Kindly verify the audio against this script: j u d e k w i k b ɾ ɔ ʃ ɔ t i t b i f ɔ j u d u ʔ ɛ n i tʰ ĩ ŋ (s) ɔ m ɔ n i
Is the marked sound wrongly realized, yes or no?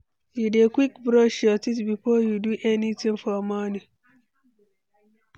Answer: yes